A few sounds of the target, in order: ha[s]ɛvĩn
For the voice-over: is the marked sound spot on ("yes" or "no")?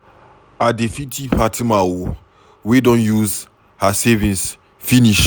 yes